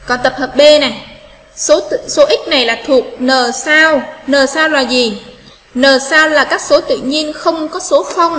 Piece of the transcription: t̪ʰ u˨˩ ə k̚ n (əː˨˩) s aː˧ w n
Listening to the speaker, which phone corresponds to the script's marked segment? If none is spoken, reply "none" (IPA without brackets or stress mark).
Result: əː˨˩